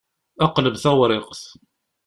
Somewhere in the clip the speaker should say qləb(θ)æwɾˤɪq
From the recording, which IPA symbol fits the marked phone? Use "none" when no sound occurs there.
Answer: θ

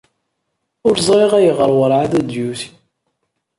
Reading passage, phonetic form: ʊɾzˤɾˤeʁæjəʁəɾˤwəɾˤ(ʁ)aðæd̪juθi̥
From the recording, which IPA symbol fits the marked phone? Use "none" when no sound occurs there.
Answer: ʕ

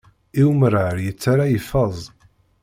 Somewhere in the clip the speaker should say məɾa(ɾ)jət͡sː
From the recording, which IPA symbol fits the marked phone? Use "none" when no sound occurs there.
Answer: ɾ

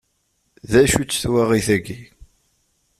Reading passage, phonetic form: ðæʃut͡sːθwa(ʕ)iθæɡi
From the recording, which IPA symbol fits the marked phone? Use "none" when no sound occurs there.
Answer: ʁ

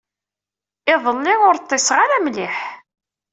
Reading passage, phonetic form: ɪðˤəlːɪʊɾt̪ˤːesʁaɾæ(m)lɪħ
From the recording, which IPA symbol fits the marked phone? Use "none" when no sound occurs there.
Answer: m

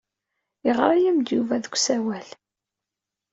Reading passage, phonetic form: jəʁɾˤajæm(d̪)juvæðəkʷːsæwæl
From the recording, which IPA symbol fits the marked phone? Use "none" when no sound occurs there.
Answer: d̪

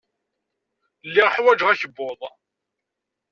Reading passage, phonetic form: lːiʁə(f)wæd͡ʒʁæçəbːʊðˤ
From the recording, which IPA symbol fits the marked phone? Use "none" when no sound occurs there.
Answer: ħ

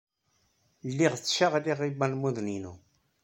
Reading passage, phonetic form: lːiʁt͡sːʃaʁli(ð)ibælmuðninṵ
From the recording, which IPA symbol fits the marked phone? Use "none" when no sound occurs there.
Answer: ʁ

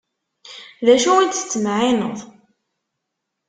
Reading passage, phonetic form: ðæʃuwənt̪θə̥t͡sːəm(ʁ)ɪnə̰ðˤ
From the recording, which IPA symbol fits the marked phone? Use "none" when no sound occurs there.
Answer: ʕ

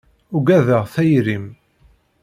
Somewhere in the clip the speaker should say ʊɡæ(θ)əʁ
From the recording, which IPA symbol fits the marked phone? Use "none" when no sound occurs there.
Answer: ð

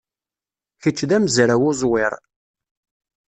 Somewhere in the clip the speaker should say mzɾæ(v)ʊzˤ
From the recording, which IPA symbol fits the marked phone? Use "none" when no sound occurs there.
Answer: w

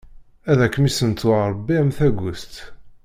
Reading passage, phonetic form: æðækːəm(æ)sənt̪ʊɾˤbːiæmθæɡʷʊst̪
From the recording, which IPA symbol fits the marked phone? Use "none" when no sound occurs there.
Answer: i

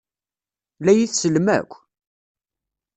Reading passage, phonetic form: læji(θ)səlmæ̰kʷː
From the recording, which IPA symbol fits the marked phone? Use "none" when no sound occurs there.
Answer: θ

